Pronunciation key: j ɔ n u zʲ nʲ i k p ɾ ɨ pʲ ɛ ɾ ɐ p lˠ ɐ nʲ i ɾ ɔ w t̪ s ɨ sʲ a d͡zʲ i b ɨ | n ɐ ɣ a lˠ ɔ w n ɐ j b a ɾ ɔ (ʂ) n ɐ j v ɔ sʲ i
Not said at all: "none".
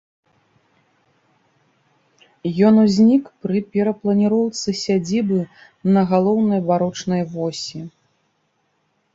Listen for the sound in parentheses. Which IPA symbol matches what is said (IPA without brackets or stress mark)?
t͡ʂ